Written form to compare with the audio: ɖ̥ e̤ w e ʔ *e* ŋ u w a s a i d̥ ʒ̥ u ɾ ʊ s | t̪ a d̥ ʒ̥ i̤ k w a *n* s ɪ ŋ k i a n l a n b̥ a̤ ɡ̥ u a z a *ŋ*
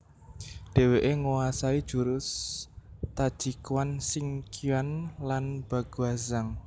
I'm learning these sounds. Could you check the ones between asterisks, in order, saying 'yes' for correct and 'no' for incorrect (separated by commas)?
yes, yes, yes